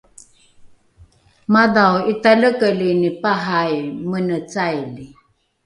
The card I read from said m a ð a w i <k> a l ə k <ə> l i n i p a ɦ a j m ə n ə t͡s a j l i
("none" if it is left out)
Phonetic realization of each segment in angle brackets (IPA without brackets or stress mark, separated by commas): t, ə